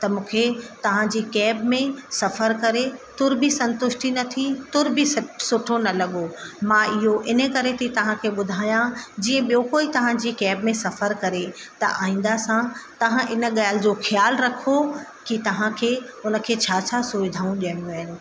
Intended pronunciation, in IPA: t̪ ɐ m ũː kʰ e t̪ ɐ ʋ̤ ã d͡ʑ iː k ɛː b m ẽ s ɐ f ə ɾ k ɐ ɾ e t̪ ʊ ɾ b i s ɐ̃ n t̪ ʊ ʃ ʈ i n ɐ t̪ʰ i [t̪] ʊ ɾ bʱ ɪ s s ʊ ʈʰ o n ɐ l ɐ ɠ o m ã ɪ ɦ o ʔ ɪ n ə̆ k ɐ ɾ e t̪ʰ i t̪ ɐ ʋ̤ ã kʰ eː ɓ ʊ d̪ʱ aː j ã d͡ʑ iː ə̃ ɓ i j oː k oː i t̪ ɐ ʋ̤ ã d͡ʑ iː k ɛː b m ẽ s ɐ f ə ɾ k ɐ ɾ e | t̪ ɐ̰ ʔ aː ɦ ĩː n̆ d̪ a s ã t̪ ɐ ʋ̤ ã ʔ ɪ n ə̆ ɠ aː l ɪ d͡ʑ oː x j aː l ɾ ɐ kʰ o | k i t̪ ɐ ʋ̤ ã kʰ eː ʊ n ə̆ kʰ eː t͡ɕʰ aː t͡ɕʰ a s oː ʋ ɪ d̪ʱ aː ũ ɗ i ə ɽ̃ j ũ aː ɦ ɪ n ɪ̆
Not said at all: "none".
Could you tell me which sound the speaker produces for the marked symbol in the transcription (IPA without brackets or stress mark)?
t̪